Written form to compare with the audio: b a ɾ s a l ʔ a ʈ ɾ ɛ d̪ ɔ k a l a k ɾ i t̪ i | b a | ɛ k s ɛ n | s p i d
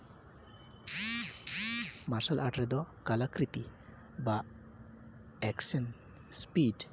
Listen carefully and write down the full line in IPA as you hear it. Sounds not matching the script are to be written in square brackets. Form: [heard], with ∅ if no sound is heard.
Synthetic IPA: [m] a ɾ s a l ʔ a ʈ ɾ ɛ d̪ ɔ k a l a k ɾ i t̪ i | b a | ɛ k s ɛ n | s p i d